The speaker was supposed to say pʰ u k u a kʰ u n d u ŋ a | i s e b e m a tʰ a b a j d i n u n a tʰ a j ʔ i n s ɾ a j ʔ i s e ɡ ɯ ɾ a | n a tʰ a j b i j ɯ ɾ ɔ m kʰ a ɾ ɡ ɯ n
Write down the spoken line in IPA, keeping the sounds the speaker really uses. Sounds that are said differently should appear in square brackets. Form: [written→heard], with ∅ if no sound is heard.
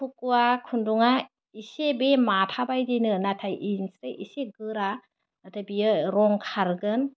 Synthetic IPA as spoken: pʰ u k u a kʰ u n d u ŋ a | i s e b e m a tʰ a b a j d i n [u→ɯ] n a tʰ a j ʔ i n s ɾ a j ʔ i s e ɡ ɯ ɾ a | n a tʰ a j b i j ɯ ɾ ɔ [m→ŋ] kʰ a ɾ ɡ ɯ n